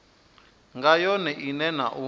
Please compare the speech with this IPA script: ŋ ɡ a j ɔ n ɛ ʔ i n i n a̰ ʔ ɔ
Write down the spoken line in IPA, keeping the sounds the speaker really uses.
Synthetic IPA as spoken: ŋ ɡ a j ɔ n ɛ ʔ i n ɛ n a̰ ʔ u